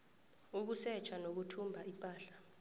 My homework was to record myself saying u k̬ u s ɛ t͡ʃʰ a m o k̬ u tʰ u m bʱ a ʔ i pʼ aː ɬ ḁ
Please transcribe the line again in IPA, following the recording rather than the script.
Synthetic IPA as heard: u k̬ u s ɛ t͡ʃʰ a n o k̬ u tʰ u m bʱ a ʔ i pʼ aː ɬ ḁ